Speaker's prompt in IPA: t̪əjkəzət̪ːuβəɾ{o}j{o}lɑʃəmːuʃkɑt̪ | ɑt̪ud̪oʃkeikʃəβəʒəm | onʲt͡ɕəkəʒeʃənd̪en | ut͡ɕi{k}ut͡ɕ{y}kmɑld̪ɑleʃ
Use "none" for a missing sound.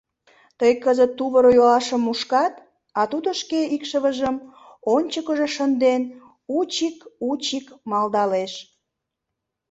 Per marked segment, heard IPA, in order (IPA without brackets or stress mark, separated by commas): o, o, k, i